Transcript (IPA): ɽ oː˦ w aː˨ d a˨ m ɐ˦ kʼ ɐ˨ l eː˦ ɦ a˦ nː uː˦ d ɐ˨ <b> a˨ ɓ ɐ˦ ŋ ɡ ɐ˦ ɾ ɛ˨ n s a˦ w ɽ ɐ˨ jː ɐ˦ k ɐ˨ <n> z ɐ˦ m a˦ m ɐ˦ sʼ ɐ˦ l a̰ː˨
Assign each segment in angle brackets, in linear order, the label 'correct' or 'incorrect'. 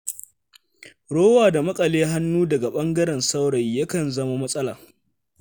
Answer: incorrect, correct

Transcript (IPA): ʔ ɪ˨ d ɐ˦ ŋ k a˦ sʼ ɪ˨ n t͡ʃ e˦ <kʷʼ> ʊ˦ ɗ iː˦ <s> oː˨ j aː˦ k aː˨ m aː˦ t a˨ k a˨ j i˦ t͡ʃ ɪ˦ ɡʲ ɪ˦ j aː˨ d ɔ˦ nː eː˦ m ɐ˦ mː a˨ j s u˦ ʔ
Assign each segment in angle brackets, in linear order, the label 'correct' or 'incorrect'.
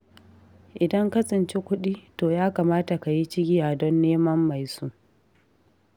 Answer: incorrect, incorrect

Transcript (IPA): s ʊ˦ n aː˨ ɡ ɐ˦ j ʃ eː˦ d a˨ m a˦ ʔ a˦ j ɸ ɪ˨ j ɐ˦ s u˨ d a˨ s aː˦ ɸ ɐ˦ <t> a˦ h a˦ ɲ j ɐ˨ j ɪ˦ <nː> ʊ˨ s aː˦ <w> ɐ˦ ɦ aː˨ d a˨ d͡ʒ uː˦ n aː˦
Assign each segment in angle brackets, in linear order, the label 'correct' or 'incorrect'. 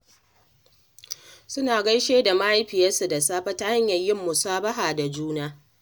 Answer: correct, incorrect, incorrect

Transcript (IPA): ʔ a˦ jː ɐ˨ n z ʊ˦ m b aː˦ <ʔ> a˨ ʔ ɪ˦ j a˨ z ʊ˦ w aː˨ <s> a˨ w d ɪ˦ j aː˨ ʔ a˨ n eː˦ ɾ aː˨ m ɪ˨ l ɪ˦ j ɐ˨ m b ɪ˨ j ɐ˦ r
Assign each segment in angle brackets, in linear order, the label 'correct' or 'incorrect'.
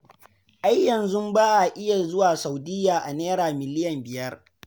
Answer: correct, correct

